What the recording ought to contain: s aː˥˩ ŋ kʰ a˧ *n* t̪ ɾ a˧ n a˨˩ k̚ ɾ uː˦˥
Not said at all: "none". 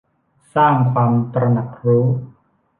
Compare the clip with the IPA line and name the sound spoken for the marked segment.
m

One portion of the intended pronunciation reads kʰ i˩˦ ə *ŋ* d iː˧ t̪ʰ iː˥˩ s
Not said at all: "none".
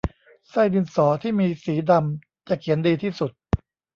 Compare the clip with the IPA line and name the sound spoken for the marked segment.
n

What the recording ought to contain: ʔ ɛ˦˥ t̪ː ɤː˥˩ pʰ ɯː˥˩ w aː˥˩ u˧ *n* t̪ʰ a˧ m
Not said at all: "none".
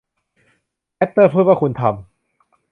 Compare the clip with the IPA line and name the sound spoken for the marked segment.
n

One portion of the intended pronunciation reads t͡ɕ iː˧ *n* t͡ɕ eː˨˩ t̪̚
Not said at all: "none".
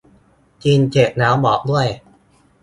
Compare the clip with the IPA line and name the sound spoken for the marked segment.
n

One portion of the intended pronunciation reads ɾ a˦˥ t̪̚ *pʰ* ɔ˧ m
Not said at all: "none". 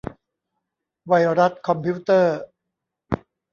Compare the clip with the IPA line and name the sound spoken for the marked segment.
kʰ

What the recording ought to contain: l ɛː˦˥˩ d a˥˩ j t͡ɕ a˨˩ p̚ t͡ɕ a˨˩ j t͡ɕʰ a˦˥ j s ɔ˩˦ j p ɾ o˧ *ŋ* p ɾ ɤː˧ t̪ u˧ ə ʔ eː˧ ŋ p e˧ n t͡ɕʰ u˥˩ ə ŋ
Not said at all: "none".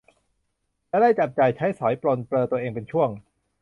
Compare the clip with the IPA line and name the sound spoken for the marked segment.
n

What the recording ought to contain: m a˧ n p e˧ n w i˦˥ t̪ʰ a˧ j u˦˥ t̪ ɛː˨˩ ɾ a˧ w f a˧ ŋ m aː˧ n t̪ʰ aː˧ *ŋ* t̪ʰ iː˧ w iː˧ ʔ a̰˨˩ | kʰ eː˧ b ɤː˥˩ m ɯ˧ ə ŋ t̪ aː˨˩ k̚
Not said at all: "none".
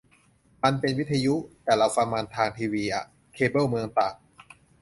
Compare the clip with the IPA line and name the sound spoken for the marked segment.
ŋ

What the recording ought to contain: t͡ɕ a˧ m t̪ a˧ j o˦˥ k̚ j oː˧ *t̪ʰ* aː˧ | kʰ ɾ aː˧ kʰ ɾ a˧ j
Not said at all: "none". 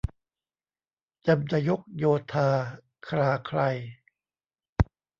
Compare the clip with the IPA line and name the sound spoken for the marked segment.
t̪ʰ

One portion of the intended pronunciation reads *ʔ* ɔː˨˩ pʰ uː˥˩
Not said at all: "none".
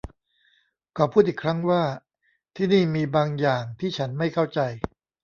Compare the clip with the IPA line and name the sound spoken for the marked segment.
k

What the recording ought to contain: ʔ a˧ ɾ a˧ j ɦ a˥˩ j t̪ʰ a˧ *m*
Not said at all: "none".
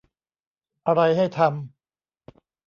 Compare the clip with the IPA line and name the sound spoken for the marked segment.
m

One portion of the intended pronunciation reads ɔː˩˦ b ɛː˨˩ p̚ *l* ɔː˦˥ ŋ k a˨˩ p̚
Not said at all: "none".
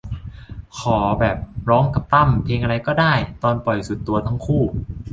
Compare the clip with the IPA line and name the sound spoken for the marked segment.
ɾ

